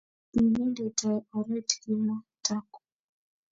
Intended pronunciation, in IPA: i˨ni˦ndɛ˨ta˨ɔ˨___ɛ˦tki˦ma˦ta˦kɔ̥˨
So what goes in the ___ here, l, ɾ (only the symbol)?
ɾ